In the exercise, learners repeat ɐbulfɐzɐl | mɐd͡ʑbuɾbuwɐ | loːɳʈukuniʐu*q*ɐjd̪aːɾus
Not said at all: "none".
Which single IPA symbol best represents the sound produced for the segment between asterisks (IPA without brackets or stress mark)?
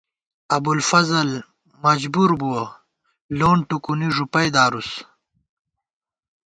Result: p